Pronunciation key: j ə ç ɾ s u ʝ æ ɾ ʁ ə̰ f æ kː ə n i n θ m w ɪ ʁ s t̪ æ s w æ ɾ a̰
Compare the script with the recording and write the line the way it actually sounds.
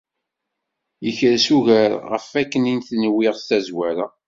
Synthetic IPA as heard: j ə ç ɾ s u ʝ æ ɾ ʁ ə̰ f æ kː ə n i n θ n w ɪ ʁ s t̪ æ z w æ ɾ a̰

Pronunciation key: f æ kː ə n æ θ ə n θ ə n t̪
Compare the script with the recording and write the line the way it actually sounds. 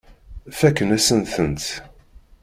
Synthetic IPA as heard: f æ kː ə n æ s ə n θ ə n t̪

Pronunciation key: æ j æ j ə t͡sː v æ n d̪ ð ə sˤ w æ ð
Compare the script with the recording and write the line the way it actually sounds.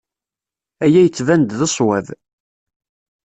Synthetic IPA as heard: æ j æ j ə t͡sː v æ n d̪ ð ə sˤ w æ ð

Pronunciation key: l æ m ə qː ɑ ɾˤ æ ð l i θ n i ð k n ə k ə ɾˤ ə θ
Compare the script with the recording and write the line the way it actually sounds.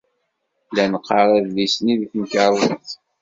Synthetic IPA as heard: l æ n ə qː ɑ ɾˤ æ ð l i s n i ð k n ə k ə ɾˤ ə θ

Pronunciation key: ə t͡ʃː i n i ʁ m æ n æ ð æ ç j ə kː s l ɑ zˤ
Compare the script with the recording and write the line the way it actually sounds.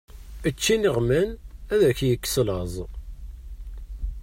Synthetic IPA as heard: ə t͡ʃː i n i ʁ m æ n æ ð æ ç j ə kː s l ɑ zˤ

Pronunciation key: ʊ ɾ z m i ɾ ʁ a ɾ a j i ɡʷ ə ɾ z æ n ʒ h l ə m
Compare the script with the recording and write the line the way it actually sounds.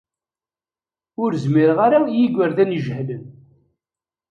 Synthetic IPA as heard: ʊ ɾ z m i ɾ ʁ a ɾ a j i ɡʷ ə ɾ ð æ n ʒ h l ə n

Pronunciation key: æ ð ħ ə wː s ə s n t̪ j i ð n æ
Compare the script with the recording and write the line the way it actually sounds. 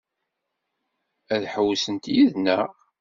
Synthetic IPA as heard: æ ð ħ ə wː s ə n t̪ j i ð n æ

